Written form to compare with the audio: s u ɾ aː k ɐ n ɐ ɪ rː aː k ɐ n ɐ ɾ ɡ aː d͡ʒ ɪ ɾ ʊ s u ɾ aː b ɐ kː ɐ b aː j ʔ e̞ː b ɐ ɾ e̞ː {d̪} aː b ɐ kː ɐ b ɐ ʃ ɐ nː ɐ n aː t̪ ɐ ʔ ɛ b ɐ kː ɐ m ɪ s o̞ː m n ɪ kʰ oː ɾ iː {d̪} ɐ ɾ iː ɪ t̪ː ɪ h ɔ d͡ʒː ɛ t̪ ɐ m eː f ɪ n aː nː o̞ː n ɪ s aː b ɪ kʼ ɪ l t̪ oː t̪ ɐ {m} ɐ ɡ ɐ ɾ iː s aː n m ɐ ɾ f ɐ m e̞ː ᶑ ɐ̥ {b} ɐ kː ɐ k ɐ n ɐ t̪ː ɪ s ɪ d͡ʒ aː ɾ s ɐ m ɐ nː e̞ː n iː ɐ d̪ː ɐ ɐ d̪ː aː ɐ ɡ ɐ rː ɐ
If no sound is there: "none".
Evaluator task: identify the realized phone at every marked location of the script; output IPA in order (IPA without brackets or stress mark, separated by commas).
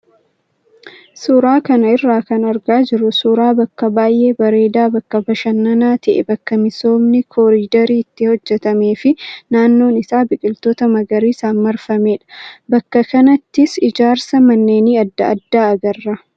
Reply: d̪, d̪, m, b